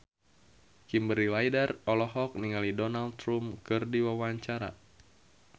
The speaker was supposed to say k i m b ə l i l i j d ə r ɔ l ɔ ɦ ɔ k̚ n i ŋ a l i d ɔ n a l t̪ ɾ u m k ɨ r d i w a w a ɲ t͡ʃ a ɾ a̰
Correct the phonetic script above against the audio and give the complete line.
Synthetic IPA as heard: k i m b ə ɾ i l a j d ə r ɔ l ɔ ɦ ɔ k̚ n i ŋ a l i d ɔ n a l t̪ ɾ u m k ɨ r d i w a w a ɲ t͡ʃ a ɾ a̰